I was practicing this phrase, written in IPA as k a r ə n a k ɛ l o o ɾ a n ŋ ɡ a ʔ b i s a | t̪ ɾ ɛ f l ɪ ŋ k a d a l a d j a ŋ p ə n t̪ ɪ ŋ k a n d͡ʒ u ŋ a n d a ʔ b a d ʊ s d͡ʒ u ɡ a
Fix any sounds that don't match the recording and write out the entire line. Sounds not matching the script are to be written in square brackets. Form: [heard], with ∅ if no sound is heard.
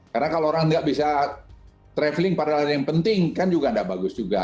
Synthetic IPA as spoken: k a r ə n a k [a] l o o ɾ a [ŋ] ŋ ɡ a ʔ b i s a | t̪ ɾ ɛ f l ɪ ŋ [p] a d a l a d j a ŋ p ə n t̪ ɪ ŋ k a n d͡ʒ u [ɡ] a n d a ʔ b a [ɡ] ʊ s d͡ʒ u ɡ a